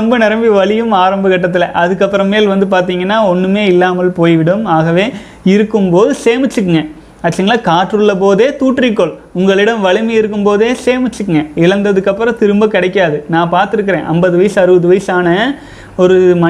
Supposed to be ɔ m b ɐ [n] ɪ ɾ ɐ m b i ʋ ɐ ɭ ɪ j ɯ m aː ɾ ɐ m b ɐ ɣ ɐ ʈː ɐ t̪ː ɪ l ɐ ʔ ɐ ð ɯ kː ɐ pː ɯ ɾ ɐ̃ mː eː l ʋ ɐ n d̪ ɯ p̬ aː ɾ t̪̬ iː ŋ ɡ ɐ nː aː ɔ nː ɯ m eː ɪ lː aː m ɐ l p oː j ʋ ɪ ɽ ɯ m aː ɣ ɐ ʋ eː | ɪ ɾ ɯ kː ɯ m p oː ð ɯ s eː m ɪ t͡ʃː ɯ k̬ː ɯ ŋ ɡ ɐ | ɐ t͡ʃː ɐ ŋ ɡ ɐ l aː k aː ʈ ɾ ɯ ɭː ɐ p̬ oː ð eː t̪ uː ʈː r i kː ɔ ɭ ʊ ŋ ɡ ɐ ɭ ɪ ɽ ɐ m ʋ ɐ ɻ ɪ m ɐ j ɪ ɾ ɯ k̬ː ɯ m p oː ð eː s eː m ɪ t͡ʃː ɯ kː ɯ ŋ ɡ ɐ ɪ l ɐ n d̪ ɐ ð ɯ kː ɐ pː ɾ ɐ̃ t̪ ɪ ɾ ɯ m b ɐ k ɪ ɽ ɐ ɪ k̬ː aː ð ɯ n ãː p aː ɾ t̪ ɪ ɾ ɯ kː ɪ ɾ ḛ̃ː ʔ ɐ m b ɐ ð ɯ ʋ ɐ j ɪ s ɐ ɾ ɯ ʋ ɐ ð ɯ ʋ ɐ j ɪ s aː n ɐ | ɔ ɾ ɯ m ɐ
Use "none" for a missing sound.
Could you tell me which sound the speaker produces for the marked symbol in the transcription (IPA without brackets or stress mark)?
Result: n